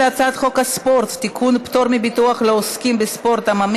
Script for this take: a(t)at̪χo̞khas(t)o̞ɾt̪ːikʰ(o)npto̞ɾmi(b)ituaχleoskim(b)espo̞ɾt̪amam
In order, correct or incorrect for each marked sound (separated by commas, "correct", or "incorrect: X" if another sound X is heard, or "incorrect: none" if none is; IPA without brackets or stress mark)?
incorrect: t͡s, incorrect: p, incorrect: u, correct, correct